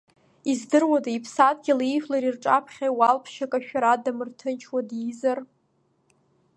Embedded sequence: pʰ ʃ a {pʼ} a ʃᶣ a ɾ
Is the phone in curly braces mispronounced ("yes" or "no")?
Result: yes